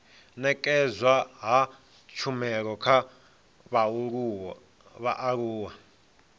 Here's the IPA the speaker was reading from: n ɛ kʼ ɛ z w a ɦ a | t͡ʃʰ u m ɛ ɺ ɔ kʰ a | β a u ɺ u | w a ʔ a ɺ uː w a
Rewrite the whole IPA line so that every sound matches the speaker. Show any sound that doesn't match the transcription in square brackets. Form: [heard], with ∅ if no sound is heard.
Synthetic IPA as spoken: n ɛ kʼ ɛ z w a ɦ a | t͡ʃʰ u m ɛ ɺ ɔ kʰ a | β a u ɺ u | [β] a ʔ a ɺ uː w a